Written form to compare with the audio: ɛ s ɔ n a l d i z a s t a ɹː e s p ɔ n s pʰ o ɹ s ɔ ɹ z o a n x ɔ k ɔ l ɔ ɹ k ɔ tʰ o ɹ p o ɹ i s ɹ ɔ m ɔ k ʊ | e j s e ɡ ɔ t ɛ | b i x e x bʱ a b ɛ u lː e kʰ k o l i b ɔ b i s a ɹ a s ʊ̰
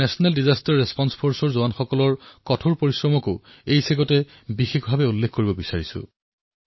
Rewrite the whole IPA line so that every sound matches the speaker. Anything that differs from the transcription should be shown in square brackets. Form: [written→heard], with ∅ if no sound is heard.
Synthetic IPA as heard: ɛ s ɔ n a l d i z a s t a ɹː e s p ɔ n s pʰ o ɹ s ɔ ɹ z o a n x ɔ k ɔ l ɔ ɹ k ɔ tʰ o ɹ p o ɹ i s ɹ ɔ m ɔ k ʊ | e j s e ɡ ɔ t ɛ | b i x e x bʱ a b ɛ u lː e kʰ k o [l→ɹ] i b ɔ b i s a ɹ [a→i] s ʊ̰